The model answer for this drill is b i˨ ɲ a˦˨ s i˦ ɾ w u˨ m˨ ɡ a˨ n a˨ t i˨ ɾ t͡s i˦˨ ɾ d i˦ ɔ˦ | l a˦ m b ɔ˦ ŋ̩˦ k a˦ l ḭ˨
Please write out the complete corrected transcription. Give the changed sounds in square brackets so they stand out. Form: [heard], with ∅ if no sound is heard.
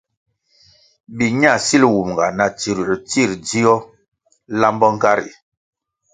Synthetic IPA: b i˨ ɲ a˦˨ s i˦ [l] w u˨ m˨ ɡ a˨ n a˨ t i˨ ɾ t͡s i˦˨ ɾ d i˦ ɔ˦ | l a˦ m b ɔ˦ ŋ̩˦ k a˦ [ɾ] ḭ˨

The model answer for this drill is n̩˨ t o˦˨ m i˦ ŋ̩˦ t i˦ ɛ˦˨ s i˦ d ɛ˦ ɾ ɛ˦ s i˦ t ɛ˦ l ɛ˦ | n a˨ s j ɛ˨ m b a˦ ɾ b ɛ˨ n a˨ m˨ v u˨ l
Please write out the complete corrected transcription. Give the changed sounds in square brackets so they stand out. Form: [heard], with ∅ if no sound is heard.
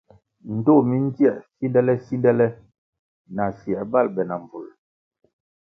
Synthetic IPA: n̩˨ t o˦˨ m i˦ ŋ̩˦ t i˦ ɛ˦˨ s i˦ d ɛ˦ [l] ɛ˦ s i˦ [d] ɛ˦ l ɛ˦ | n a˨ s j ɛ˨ [∅] b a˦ [l] b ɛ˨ n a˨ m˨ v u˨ l

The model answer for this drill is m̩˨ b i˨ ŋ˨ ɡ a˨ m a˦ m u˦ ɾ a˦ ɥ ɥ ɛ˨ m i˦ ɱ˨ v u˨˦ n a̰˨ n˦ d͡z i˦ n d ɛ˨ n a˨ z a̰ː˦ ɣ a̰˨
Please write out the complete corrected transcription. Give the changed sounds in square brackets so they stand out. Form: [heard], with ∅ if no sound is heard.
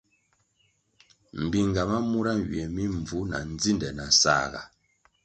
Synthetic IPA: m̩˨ b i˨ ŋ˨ ɡ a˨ m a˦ m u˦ ɾ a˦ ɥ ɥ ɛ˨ m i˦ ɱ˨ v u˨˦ n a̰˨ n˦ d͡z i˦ n d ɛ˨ n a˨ [s] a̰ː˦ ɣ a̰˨

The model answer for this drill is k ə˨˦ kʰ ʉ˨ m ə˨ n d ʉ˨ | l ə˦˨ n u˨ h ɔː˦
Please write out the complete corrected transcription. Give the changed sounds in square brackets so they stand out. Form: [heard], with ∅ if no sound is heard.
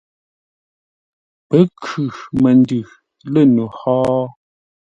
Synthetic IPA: [p] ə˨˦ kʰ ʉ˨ m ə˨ n d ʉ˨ | l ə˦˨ n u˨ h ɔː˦

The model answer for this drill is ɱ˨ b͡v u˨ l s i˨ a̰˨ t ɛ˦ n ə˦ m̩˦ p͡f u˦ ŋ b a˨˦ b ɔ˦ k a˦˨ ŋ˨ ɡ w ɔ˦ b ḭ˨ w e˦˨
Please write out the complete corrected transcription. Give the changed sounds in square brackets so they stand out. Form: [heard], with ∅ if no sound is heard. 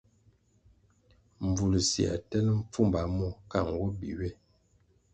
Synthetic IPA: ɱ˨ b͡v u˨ l s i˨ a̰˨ t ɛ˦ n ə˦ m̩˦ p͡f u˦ [m] b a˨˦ [m] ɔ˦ k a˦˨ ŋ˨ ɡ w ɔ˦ b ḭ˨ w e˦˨

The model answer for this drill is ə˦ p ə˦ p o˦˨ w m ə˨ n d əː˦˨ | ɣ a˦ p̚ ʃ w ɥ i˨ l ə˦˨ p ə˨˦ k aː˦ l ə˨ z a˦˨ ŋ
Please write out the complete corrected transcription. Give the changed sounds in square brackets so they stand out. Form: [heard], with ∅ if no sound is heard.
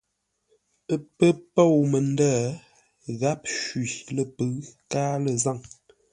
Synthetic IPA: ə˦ p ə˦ p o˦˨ w m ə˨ n d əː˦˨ | ɣ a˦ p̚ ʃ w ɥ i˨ l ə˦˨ p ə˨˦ k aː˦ l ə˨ z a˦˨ ŋ

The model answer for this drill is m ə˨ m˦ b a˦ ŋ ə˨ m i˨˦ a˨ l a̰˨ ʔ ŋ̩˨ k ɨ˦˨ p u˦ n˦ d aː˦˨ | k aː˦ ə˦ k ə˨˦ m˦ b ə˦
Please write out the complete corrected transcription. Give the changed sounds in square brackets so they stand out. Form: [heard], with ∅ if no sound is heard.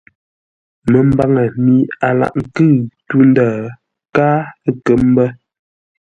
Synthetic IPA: m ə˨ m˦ b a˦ ŋ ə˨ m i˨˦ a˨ l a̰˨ ʔ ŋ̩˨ k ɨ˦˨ [t] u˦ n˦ d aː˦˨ | k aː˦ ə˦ k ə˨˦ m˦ b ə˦

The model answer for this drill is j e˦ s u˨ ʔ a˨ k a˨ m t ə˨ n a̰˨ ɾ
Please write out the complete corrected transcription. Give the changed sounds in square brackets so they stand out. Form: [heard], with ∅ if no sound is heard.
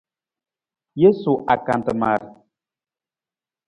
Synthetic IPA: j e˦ s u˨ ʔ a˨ k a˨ [n] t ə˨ [m] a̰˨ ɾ

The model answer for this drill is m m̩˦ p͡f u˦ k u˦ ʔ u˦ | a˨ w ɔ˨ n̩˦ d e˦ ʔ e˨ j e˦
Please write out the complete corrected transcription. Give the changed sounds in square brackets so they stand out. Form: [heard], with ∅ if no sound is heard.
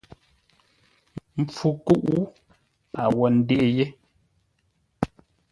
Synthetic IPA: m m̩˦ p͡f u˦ k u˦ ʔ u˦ | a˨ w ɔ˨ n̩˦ d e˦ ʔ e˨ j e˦

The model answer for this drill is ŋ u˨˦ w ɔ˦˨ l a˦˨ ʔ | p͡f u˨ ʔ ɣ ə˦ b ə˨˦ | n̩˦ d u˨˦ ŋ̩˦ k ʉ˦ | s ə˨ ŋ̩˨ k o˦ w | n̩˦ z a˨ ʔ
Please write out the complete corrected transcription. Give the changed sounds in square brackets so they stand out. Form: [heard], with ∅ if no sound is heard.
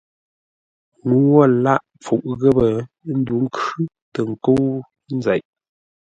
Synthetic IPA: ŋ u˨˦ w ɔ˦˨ l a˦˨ ʔ | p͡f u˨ ʔ ɣ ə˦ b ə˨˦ | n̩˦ d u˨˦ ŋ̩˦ k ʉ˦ | [t] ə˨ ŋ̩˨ k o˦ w | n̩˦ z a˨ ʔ

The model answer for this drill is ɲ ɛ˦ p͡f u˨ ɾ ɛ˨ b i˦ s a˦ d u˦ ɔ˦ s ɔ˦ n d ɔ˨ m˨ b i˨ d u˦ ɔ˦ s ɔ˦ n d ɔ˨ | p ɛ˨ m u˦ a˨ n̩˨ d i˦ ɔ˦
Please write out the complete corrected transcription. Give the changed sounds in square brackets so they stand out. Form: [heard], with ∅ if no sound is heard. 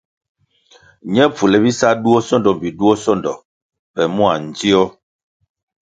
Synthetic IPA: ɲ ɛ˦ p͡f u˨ [l] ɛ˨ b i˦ s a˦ d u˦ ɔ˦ s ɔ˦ n d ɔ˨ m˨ b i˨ d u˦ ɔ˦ s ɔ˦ n d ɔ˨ | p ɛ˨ m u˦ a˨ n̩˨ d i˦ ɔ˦

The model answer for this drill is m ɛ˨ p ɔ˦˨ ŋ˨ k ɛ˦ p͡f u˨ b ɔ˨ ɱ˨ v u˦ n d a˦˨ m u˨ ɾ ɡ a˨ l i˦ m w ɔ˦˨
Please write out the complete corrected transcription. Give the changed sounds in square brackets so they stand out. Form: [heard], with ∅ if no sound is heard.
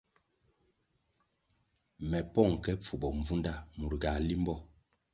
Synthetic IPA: m ɛ˨ p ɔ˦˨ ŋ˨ k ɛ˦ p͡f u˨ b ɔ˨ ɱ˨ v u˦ n d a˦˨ m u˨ ɾ ɡ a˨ l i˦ m [b] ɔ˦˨

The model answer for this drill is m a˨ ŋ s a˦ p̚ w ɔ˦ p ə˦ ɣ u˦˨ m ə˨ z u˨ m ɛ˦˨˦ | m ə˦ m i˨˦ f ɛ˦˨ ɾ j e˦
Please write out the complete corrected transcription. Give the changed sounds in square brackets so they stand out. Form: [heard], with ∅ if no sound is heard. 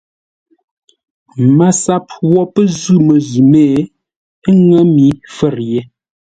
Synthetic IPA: m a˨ [∅] s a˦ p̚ w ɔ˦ p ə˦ [z] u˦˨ m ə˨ z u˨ m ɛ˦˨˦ | [ŋ] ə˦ m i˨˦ f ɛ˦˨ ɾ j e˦

